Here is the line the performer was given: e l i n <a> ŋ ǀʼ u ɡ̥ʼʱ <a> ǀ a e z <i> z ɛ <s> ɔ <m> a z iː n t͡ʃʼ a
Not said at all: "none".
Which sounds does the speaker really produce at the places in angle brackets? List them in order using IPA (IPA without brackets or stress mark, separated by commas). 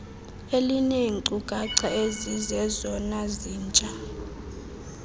e, a, i, z, n